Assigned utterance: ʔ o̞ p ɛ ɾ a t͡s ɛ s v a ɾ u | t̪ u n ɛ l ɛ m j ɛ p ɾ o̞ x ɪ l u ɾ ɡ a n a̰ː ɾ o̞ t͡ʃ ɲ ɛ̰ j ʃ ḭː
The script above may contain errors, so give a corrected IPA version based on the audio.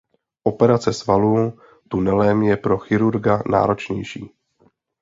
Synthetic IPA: ʔ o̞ p ɛ ɾ a t͡s ɛ s v a l u | t̪ u n ɛ l ɛ m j ɛ p ɾ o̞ x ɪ ɾ u ɾ ɡ a n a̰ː ɾ o̞ t͡ʃ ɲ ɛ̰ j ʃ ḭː